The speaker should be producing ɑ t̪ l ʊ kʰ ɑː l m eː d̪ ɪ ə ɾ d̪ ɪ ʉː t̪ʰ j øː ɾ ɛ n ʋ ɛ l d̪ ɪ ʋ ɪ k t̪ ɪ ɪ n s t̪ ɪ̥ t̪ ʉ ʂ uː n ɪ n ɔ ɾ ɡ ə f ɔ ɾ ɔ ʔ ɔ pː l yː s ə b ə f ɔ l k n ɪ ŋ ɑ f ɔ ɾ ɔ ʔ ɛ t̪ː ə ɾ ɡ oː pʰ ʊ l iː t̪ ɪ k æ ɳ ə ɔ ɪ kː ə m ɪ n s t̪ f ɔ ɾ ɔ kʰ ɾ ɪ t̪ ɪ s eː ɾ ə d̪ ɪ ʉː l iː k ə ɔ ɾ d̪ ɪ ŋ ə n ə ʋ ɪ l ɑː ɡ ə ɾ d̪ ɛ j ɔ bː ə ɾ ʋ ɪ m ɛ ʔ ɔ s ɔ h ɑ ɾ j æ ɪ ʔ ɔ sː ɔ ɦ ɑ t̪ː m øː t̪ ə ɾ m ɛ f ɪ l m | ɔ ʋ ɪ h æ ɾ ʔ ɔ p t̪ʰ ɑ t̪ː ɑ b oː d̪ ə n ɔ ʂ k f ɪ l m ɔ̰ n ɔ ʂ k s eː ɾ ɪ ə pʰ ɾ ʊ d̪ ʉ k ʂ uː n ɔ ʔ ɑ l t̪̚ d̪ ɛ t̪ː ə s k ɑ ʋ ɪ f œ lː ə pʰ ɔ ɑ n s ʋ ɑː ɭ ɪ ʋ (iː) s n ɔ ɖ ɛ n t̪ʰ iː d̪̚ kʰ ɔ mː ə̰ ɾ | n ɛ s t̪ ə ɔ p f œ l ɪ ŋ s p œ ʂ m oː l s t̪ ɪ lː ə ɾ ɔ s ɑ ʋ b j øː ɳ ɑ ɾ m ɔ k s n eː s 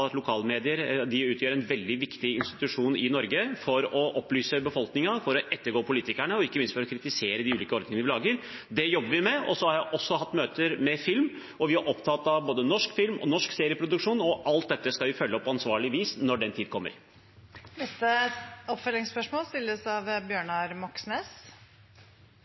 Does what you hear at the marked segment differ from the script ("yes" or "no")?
no